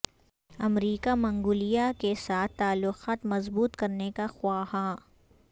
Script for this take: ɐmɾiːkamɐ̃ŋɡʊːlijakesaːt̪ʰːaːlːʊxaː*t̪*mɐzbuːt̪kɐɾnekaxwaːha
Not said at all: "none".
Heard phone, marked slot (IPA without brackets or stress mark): t̪